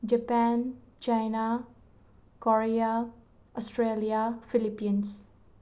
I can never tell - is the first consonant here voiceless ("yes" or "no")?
no